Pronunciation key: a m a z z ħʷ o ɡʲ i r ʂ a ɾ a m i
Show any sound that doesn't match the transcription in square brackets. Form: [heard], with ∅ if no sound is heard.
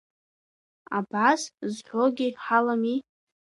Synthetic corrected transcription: a [b] a [s] z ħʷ o ɡʲ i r [ħ] a [l] a m i